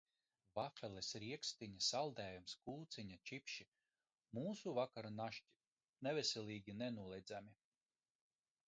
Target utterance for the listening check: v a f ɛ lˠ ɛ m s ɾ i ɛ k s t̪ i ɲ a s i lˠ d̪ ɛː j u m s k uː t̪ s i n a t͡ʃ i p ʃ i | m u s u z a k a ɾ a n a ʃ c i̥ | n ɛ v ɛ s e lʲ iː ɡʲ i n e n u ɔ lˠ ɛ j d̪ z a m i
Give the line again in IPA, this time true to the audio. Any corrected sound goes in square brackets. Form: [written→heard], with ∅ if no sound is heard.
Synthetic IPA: v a f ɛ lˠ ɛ [m→∅] s ɾ i ɛ k s t̪ i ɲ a s [i→a] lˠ d̪ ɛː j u m s k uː t̪ s i [n→ɲ] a t͡ʃ i p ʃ i | m [u→uː] s u [z→v] a k a ɾ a n a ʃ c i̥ | n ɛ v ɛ s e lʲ iː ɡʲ i n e n u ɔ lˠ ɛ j d̪ z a m i